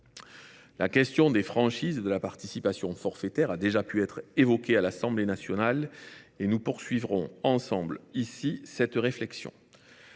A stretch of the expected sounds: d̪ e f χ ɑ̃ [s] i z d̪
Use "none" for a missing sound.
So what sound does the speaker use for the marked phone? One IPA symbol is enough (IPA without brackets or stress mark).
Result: ʃ